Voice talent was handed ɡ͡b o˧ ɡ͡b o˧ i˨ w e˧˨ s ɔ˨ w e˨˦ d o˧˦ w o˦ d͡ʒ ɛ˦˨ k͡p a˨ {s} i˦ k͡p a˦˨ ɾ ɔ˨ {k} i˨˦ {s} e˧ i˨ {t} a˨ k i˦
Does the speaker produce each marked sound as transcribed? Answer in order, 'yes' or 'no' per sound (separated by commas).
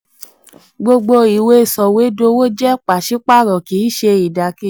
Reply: no, yes, no, no